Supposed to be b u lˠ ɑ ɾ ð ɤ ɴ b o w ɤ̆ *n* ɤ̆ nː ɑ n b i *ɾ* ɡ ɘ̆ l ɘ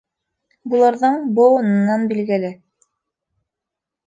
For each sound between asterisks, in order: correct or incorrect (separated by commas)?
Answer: correct, incorrect